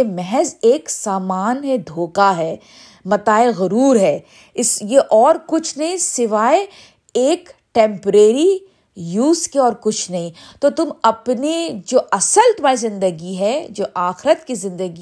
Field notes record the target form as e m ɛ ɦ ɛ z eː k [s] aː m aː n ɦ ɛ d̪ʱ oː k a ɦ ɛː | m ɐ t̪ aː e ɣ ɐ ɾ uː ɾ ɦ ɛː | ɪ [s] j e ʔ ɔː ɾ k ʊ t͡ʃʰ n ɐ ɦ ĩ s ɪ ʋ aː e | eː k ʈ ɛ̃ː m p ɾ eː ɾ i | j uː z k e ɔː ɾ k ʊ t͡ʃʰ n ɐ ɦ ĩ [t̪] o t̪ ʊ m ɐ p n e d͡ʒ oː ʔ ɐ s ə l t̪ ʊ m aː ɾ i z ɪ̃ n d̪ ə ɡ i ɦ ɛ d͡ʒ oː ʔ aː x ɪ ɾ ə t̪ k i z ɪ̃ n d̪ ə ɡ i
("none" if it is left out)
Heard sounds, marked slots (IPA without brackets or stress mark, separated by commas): s, s, t̪